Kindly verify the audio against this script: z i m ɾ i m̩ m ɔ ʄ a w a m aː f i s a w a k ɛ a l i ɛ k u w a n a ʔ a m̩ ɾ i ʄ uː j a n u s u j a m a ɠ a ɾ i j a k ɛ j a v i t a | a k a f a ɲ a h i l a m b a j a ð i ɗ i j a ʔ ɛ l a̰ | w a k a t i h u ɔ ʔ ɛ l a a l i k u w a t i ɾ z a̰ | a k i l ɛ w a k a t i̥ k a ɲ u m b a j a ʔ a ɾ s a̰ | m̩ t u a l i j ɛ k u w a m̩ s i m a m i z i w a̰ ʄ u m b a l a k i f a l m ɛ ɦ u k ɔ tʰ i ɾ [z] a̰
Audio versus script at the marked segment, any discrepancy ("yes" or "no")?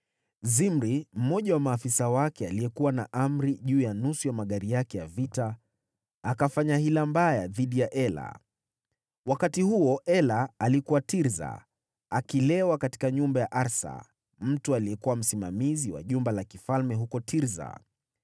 no